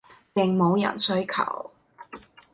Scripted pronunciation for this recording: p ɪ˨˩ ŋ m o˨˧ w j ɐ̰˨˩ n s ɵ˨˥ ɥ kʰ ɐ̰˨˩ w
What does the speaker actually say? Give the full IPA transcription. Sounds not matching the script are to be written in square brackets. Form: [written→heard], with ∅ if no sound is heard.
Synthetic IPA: p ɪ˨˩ ŋ m o˨˧ w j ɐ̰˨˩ n s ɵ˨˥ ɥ kʰ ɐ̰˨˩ w